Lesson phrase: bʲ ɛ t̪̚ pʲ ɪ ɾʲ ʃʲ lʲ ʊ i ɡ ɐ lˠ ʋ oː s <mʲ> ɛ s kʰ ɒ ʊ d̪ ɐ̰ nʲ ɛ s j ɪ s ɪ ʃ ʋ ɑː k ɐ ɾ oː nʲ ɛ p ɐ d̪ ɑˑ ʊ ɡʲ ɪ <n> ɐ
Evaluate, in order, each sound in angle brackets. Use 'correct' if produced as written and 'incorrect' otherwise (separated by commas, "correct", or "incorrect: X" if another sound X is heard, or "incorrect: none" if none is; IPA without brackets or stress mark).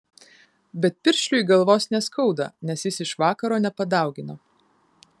incorrect: nʲ, correct